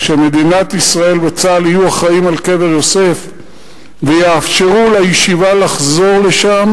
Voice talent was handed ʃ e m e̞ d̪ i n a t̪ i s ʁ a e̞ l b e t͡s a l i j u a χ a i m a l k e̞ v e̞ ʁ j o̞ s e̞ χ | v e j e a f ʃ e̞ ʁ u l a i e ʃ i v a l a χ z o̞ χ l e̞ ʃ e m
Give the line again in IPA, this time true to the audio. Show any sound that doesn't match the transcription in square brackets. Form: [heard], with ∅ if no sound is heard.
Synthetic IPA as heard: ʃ e m e̞ d̪ i n a t̪ i s ʁ a e̞ l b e t͡s a l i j u a χ a i m a l k e̞ v e̞ ʁ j o̞ s e̞ [f] | v e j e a f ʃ e̞ ʁ u l a [j] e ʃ i v a l a χ z o̞ [ʁ] l e̞ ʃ [a] m